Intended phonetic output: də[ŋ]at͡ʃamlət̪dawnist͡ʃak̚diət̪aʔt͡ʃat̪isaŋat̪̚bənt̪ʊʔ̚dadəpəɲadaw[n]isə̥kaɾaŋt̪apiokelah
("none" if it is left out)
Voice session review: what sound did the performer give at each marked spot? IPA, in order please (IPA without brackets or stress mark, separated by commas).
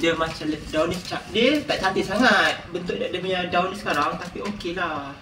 m, n